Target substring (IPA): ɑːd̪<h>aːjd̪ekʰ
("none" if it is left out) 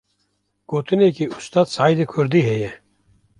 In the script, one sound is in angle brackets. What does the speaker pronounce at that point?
s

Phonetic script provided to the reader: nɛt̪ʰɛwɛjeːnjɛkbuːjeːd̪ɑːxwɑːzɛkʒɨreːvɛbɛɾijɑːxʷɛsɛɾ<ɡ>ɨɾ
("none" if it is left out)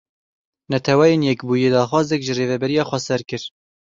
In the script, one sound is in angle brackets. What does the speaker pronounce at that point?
k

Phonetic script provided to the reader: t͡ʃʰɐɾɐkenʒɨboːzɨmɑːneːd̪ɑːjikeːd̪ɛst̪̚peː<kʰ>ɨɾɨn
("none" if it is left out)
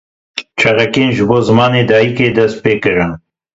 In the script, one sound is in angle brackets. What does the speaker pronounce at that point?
k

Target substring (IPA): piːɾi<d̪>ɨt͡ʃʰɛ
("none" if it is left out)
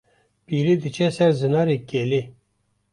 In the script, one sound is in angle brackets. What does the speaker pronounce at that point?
d̪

